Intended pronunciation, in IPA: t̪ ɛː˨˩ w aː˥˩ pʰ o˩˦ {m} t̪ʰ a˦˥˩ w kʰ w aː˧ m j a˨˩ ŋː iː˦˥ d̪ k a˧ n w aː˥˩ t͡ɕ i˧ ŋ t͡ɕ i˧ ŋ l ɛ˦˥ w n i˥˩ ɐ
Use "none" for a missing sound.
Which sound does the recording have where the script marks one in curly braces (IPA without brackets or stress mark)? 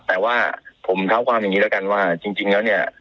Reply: m